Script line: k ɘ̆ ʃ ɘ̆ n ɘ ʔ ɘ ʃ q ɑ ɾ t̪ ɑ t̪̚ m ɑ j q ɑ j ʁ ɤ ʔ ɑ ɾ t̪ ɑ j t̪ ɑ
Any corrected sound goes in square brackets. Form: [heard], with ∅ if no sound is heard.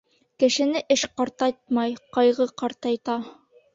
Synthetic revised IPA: k ɘ̆ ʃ ɘ̆ n ɘ ʔ ɘ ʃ q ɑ ɾ t̪ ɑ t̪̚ m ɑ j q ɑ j ʁ ɤ [q] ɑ ɾ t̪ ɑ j t̪ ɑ